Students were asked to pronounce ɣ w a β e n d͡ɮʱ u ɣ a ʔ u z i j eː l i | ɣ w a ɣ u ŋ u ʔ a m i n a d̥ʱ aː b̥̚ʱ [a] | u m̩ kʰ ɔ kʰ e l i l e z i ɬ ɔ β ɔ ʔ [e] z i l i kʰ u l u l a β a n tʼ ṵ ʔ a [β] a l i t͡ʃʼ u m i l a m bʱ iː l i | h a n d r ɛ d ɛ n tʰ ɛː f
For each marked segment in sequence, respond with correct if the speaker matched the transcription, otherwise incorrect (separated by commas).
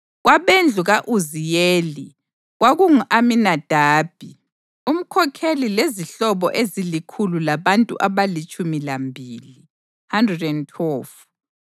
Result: incorrect, correct, correct